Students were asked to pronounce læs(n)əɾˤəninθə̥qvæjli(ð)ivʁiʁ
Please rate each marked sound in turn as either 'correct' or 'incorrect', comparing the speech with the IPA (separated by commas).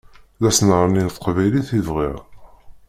correct, incorrect